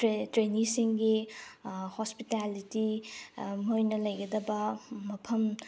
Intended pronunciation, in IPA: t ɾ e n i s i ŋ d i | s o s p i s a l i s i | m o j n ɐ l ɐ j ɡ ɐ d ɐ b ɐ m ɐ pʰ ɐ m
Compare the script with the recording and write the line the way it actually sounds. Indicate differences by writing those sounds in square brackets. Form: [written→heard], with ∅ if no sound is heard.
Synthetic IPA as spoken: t ɾ e n i s i ŋ [d→ɡ] i | [s→h] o s p i [s→t] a l i [s→t] i | m o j n ɐ l ɐ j ɡ ɐ d ɐ b ɐ m ɐ pʰ ɐ m